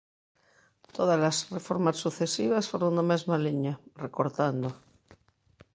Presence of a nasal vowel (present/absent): absent